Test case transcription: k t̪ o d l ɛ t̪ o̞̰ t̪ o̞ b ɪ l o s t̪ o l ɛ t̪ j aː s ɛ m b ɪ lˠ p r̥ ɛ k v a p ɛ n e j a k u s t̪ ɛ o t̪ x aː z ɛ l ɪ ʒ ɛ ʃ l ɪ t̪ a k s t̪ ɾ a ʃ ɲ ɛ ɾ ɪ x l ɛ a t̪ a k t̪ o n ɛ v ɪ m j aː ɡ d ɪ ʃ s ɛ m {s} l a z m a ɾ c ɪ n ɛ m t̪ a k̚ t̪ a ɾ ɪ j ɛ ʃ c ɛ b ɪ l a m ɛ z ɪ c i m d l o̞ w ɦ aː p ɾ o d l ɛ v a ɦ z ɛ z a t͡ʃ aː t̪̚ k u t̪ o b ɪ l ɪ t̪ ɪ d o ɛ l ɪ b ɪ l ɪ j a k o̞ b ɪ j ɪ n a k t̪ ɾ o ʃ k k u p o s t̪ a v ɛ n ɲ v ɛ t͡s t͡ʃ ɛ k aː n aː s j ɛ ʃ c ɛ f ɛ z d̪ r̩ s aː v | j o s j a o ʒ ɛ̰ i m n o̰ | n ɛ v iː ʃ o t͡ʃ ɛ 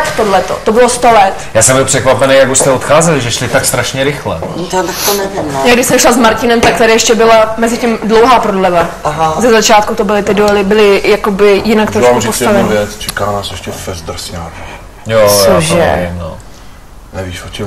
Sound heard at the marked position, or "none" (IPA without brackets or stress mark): ʃ